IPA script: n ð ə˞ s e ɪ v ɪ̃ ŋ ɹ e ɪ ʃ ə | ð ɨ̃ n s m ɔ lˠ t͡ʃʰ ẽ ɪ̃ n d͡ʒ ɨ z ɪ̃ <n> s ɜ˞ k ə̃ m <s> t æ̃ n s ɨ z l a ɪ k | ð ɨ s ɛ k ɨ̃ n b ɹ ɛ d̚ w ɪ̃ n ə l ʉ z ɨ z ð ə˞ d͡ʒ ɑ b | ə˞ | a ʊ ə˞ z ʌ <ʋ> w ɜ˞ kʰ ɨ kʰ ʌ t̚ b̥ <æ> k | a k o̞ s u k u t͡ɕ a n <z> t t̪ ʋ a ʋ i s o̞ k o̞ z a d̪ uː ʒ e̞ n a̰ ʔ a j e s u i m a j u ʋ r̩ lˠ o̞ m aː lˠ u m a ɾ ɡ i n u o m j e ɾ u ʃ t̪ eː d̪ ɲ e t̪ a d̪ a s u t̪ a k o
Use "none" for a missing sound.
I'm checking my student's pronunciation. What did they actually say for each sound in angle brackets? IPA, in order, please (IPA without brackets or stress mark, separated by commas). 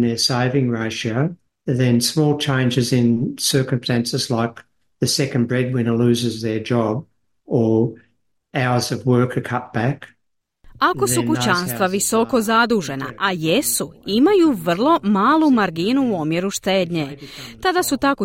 n, s, v, æ, s